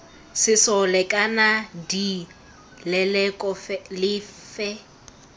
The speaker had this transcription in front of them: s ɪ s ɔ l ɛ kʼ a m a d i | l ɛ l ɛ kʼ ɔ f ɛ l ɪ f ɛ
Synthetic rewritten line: s ɪ s ɔ l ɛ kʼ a n a d i | l ɛ l ɛ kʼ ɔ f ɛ l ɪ f ɛ